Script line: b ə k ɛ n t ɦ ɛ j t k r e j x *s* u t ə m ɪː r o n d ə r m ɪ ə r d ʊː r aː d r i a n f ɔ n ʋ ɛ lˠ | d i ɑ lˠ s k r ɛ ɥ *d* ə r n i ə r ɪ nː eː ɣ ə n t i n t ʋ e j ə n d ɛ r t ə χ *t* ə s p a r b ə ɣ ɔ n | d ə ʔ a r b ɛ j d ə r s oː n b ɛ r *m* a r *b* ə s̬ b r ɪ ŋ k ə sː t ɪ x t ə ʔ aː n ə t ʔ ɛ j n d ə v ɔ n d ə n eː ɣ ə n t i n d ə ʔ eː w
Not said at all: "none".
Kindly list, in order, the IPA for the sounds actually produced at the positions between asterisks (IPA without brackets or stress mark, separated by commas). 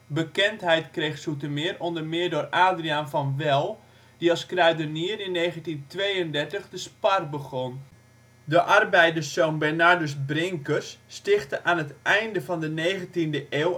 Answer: s, d, d, n, d